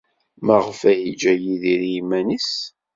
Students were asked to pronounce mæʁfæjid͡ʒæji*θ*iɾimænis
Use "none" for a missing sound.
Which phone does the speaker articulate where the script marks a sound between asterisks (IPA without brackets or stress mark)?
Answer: ð